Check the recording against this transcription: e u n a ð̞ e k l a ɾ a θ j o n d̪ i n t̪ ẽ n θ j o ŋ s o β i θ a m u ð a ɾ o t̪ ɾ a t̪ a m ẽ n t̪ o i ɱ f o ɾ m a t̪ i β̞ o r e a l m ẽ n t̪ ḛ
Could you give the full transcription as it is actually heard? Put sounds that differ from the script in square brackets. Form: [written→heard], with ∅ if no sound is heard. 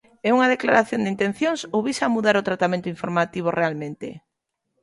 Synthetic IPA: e u [n→ŋ] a ð̞ e k l a ɾ a θ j o n d̪ i n t̪ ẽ n θ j o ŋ s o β i [θ→s] a m u ð a ɾ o t̪ ɾ a t̪ a m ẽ n t̪ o i ɱ f o ɾ m a t̪ i β̞ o r e a l m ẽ n t̪ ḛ